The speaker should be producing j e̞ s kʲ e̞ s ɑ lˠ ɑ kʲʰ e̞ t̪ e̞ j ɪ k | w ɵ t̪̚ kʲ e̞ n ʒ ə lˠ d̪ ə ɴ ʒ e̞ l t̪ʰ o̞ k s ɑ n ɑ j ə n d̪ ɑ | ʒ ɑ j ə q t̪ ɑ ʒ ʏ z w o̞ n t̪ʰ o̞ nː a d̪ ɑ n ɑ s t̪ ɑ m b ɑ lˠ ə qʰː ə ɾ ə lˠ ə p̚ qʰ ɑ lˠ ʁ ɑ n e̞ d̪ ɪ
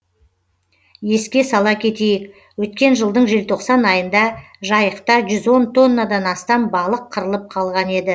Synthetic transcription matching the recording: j e̞ s kʲ e̞ s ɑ lˠ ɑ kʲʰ e̞ t̪ e̞ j ɪ k | w ɵ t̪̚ kʲ e̞ n ʒ ə lˠ d̪ ə ɴ ʒ e̞ l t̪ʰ o̞ q s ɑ n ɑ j ə n d̪ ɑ | ʒ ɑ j ə q t̪ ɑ ʒ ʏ z w o̞ n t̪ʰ o̞ nː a d̪ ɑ n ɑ s t̪ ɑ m b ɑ lˠ ə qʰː ə ɾ ə lˠ ə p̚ qʰ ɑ lˠ ʁ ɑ n e̞ d̪ ɪ